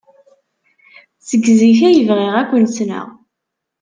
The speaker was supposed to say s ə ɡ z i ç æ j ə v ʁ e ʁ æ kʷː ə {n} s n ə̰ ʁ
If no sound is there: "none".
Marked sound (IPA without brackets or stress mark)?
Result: n